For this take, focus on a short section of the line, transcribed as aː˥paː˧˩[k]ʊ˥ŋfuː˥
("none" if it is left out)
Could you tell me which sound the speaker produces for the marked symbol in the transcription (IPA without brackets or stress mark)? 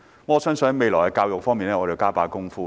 k